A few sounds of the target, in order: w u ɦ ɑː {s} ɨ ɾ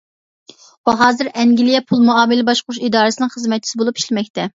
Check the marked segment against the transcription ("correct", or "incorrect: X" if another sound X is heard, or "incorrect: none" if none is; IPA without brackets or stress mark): incorrect: z